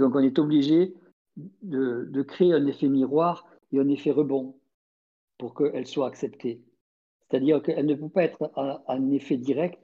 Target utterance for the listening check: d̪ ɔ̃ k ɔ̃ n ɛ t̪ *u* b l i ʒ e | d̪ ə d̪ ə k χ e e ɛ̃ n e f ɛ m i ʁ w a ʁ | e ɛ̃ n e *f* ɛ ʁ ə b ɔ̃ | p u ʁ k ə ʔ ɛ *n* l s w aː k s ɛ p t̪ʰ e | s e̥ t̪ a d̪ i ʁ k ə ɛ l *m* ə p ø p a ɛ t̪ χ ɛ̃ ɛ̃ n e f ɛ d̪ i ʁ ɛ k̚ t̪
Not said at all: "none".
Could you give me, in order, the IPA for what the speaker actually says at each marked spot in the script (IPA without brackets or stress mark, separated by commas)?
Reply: ɔ, f, none, n